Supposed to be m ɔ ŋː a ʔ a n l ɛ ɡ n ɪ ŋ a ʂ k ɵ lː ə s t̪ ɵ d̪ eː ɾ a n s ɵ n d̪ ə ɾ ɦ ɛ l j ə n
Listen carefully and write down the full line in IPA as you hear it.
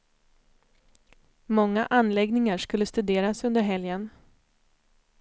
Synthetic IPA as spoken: m ɔ ŋː a ʔ a n l ɛ ɡ n ɪ ŋ a ʂ k ɵ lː ə s t̪ ɵ d̪ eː ɾ a s ɵ n d̪ ə ɾ ɦ ɛ l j ə n